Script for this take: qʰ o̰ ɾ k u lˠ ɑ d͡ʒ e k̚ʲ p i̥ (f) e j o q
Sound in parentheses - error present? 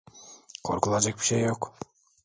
yes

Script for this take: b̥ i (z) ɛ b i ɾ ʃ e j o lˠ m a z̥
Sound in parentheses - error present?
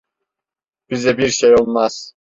no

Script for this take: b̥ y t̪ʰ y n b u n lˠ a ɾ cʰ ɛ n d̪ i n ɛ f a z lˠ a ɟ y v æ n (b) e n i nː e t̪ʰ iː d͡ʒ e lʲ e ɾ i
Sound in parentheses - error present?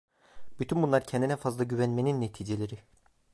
yes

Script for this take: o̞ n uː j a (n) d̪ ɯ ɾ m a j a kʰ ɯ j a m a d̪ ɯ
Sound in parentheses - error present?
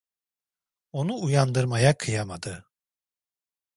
no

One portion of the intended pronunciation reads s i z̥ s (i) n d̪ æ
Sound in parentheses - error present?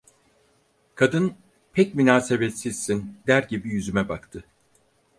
no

